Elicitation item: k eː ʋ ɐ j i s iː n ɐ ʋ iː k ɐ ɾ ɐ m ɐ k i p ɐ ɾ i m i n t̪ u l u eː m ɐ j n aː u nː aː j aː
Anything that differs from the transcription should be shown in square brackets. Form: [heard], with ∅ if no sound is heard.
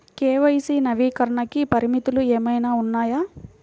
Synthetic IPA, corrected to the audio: k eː ʋ ɐ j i s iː n ɐ ʋ iː k ɐ ɾ ɐ [ɳ] ɐ k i p ɐ ɾ i m i [∅] t̪ u l u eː m ɐ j n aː u nː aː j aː